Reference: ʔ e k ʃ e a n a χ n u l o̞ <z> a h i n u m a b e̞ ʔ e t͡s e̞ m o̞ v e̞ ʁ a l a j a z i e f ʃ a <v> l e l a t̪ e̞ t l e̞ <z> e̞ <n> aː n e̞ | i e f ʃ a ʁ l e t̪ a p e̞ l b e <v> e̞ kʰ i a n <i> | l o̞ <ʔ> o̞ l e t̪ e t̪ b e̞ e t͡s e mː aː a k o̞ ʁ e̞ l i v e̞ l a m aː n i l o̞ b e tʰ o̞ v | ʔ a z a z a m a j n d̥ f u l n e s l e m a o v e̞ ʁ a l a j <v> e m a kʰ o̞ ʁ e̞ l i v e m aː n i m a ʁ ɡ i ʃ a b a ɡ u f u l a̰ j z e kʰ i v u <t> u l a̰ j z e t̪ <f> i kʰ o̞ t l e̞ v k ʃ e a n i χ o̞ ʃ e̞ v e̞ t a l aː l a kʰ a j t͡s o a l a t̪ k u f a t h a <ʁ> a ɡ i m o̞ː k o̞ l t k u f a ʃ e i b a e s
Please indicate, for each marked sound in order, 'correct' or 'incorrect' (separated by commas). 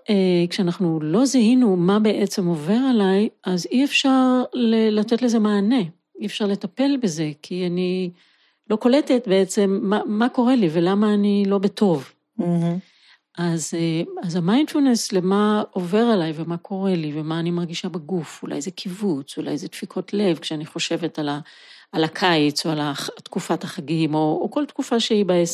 correct, incorrect, correct, incorrect, incorrect, correct, incorrect, correct, incorrect, correct, incorrect